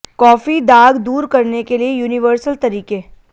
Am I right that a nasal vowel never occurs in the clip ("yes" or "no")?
yes